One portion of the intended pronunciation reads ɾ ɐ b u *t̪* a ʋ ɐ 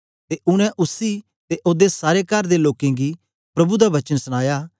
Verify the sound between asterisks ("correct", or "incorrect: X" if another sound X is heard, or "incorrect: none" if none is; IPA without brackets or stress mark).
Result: incorrect: d̪